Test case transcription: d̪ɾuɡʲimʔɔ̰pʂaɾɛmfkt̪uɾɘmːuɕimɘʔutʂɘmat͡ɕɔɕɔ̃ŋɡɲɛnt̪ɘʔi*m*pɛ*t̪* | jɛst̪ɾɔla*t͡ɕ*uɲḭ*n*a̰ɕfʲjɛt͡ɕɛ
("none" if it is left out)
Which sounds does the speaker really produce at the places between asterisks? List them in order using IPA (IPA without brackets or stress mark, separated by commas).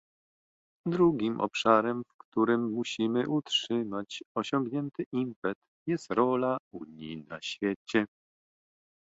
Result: m, t̪, none, n